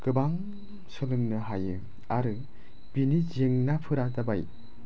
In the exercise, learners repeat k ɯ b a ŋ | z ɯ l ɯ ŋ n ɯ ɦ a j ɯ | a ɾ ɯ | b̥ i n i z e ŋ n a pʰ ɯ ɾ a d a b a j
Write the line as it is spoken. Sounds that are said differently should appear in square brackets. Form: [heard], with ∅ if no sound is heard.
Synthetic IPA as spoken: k ɯ b a ŋ | [s] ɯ l ɯ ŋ n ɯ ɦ a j ɯ | a ɾ ɯ | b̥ i n i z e ŋ n a pʰ ɯ ɾ a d a b a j